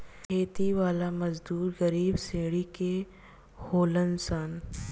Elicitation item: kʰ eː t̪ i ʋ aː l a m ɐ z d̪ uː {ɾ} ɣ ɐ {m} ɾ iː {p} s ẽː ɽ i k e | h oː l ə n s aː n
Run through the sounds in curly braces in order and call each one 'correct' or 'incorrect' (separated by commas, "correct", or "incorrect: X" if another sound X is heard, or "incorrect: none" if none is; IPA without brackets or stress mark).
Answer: correct, incorrect: none, incorrect: b